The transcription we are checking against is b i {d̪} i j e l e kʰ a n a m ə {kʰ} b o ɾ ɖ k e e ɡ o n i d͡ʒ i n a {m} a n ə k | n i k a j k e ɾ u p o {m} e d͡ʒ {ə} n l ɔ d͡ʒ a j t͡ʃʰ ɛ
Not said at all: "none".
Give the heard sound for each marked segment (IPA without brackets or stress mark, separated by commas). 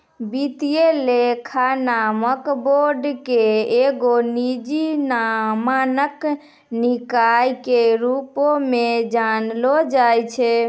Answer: t̪, k, m, m, a